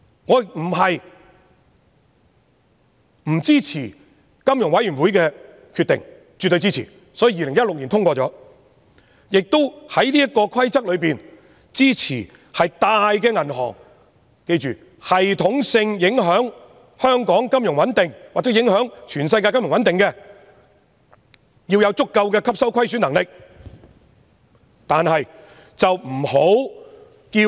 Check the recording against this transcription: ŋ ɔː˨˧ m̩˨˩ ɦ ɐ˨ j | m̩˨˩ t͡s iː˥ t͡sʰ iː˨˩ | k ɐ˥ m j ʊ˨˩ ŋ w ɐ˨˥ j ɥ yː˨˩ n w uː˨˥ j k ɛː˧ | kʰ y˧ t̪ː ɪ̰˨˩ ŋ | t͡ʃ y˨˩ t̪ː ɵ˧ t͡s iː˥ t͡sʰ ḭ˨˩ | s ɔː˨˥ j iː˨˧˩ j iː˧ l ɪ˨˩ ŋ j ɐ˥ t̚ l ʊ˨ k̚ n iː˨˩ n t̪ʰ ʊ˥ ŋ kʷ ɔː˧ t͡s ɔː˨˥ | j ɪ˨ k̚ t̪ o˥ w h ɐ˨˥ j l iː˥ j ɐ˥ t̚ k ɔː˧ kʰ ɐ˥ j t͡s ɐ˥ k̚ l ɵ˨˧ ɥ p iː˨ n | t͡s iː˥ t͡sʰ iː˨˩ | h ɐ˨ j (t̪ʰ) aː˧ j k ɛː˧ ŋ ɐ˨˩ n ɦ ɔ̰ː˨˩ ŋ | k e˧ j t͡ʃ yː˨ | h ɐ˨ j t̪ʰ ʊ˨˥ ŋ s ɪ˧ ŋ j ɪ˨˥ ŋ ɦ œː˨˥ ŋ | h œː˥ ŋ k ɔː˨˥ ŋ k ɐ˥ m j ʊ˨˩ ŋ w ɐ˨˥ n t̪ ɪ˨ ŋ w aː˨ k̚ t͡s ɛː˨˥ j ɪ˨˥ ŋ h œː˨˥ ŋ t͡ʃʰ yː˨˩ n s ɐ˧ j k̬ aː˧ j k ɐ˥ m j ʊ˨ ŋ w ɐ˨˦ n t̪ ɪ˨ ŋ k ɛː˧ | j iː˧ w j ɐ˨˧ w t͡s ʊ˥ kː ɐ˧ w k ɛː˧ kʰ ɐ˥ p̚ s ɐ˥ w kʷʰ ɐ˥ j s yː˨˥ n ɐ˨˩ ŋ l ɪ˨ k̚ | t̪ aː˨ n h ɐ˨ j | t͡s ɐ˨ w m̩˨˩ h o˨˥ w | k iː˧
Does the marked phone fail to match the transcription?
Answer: yes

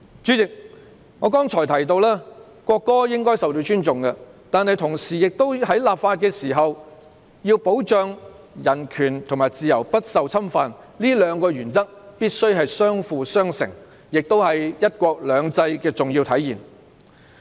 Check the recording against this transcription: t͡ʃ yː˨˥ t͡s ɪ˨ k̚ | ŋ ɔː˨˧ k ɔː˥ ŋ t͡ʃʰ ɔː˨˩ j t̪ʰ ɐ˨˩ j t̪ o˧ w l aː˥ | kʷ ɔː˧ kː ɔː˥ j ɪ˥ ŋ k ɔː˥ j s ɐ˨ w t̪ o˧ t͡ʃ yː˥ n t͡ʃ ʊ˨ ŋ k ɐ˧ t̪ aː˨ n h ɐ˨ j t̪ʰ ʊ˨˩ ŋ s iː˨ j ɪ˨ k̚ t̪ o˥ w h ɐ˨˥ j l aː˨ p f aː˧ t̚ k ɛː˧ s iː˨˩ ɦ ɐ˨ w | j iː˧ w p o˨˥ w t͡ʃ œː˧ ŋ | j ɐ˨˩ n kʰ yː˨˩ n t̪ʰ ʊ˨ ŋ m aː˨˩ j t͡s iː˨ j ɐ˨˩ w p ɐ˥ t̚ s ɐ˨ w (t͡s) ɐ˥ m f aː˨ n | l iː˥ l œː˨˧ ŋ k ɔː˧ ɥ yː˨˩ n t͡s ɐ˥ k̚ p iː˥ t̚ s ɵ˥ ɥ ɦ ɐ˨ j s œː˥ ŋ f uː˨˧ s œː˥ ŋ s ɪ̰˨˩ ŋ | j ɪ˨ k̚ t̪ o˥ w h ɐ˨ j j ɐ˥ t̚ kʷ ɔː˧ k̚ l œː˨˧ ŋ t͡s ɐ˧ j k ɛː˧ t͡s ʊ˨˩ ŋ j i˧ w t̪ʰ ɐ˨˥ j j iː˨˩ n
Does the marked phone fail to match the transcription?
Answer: yes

